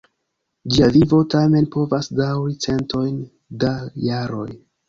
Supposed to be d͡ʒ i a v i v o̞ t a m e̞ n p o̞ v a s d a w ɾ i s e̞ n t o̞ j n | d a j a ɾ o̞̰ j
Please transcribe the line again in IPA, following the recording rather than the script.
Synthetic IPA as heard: d͡ʒ i a v i v o̞ t a m e̞ n p o̞ v a s d a w ɾ i t͡s e̞ n t o̞ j n | d a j a ɾ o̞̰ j